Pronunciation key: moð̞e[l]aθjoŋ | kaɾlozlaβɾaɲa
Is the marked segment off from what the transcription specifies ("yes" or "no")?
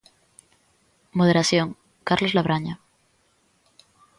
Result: yes